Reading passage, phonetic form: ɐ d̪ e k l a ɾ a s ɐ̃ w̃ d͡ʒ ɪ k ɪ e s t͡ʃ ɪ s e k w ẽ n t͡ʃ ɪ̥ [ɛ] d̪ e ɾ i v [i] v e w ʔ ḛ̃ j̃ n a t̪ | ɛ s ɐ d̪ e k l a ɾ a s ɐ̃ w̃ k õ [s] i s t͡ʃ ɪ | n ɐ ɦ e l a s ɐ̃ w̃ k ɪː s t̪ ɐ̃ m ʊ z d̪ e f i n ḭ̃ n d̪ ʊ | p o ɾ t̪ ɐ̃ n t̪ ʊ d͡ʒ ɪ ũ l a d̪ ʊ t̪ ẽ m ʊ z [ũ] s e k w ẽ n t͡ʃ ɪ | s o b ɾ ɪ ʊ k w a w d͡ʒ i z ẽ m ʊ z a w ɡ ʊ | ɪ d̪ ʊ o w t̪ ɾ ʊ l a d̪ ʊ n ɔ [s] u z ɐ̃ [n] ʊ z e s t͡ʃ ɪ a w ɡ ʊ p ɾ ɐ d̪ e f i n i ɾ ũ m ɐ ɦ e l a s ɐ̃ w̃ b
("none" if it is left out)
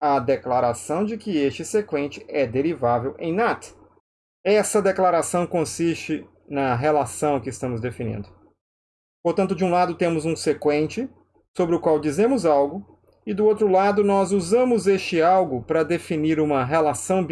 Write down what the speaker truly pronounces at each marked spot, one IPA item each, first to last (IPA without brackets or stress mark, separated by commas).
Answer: ɛ, a, s, ũ, z, m